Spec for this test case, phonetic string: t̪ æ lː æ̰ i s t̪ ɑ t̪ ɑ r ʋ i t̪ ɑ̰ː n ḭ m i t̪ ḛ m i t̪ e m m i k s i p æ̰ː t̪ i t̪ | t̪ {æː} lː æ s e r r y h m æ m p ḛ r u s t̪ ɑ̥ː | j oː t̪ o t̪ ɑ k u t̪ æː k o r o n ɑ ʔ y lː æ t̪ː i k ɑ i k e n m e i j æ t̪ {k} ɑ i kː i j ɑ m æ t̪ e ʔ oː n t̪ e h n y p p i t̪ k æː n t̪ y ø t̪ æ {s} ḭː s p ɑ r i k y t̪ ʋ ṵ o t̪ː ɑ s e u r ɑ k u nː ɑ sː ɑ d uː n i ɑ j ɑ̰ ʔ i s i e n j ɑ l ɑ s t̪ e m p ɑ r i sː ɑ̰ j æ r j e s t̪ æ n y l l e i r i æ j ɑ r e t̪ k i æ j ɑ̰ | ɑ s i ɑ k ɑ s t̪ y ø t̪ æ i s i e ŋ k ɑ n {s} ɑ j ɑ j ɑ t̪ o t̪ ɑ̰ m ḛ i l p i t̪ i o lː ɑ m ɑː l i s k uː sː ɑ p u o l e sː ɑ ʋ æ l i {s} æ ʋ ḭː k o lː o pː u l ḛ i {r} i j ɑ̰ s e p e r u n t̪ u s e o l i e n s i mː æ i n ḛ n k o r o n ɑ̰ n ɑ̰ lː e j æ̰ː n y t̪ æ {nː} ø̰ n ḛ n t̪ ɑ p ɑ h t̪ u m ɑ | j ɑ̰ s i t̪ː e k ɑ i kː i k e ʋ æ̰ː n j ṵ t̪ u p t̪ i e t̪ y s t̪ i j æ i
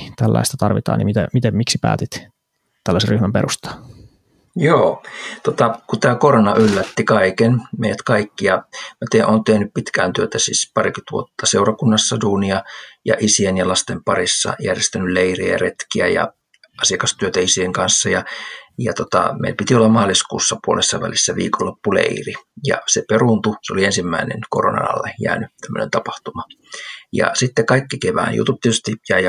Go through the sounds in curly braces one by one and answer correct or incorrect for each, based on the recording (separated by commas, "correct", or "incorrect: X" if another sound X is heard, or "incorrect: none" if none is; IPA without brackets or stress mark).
incorrect: æ, correct, correct, incorrect: sː, incorrect: sː, correct, incorrect: mː